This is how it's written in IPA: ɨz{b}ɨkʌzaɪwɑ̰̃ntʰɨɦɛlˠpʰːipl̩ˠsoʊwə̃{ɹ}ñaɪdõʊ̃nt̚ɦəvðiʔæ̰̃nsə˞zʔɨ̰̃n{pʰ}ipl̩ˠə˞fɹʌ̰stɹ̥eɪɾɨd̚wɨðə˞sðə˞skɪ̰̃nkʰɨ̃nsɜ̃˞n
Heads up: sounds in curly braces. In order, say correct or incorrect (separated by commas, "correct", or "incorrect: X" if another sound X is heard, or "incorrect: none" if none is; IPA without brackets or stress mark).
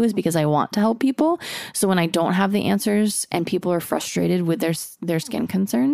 correct, incorrect: none, correct